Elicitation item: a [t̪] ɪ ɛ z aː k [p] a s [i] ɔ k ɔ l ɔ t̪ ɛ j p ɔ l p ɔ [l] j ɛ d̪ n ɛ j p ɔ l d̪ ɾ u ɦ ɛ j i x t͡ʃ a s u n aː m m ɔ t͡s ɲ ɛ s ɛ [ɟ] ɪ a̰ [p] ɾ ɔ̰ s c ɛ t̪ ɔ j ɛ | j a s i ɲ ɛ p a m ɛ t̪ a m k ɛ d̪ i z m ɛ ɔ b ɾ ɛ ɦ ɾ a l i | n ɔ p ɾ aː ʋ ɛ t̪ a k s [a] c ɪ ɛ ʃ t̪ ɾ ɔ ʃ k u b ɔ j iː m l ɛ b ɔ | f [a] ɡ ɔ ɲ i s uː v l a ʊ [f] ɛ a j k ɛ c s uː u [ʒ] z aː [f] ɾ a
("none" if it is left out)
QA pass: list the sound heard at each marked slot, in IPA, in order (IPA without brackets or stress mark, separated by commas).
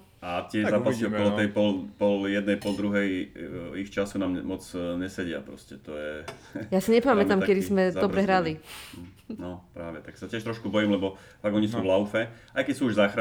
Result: t̪, p, i, l, ɟ, p, a, a, f, ʒ, x